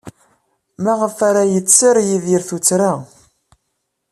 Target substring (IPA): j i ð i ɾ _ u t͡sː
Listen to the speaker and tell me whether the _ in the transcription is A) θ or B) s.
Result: A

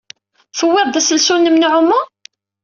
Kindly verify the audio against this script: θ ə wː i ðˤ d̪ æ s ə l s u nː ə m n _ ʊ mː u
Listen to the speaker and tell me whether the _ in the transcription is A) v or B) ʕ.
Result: B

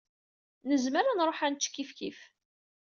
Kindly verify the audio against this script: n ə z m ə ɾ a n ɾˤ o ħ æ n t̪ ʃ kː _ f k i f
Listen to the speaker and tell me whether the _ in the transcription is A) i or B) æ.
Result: A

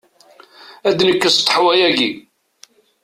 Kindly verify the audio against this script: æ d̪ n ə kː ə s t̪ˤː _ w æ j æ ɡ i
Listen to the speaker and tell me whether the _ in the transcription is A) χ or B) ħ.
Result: B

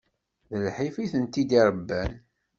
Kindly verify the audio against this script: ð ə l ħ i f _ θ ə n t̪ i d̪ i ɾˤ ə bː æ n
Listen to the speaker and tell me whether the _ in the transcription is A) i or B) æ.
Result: A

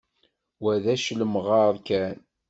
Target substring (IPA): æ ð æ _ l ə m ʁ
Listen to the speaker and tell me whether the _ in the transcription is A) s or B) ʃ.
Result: B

